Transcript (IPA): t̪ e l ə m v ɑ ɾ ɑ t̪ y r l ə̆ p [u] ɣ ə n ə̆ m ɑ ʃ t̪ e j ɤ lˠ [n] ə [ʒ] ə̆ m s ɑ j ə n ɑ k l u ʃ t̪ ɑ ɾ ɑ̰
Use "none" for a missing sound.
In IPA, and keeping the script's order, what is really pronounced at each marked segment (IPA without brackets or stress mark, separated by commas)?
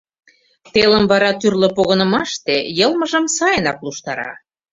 o, m, ʒ